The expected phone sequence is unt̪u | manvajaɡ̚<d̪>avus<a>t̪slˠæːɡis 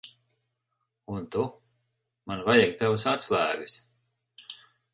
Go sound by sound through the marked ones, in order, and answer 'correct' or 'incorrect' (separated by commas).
incorrect, correct